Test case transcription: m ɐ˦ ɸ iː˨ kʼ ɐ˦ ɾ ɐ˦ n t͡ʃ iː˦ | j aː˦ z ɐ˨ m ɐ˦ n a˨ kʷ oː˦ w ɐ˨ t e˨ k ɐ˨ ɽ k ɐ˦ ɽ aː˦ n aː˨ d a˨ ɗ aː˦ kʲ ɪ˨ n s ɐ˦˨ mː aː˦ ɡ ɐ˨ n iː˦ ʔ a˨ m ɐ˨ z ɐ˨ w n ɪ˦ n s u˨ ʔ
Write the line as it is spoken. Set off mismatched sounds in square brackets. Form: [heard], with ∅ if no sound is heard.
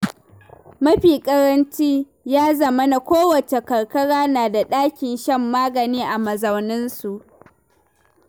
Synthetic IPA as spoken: m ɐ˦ ɸ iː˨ kʼ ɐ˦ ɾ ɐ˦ n t͡ʃ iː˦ | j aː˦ z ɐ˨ m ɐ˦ n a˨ kʷ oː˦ w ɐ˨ [t͡ʃ] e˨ k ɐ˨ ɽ k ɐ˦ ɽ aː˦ n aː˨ d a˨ ɗ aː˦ kʲ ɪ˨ n [ʃ] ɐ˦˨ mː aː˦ ɡ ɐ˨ n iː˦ ʔ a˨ m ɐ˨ z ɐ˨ w n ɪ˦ n s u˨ ʔ